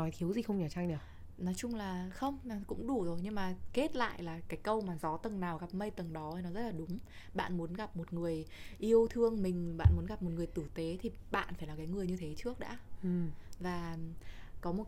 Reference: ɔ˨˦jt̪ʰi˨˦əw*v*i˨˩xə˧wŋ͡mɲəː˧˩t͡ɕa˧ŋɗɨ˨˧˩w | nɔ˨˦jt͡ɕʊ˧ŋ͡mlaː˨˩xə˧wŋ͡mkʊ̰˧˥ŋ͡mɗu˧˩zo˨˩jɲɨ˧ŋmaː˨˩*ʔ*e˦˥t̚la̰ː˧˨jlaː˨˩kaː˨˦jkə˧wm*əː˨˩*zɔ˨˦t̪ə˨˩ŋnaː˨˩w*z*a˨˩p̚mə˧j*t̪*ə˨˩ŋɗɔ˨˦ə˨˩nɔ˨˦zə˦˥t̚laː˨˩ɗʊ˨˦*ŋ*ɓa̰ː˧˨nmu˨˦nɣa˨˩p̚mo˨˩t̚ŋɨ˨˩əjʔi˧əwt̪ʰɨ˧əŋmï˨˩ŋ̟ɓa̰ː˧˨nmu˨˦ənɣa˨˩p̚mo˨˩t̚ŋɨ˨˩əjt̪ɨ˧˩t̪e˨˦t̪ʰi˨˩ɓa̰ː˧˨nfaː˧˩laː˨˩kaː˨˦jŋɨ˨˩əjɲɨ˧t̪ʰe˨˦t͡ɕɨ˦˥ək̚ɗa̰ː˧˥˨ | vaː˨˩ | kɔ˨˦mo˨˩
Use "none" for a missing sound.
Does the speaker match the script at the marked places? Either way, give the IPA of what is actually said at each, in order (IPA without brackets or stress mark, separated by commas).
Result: z, k, aː˨˩, ɣ, t̪, ŋ͡m